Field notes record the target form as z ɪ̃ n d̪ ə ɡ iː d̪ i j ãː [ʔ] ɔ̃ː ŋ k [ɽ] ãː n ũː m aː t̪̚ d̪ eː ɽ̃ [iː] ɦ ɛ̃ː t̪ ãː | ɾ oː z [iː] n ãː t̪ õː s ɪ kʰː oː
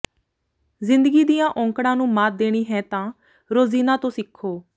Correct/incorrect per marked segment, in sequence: correct, correct, correct, correct

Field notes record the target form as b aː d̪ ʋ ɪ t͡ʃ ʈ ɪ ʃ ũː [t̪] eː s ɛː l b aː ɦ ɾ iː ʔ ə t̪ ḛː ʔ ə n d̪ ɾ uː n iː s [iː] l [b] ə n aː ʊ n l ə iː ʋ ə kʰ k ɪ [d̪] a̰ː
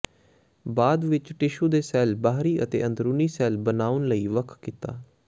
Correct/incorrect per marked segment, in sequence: incorrect: d̪, incorrect: ɛː, correct, incorrect: t̪

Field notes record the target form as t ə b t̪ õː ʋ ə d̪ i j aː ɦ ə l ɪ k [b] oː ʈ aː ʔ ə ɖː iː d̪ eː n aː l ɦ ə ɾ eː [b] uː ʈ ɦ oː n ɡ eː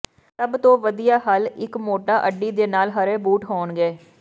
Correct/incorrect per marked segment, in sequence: incorrect: m, correct

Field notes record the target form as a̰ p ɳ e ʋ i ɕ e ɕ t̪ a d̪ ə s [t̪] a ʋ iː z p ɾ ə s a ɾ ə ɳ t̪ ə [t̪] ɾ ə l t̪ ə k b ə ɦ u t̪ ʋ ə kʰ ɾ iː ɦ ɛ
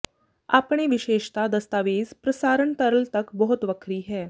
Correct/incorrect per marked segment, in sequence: correct, incorrect: none

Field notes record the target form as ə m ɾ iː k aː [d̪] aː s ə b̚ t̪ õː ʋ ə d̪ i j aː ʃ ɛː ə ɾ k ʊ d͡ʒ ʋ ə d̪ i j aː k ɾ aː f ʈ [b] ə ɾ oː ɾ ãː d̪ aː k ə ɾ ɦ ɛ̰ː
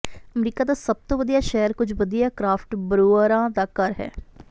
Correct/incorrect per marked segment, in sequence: correct, correct

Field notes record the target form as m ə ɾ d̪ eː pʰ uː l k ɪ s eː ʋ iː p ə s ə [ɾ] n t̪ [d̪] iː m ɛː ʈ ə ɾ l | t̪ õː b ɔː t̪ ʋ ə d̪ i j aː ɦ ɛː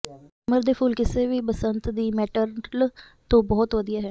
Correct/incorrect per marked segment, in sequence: incorrect: none, correct

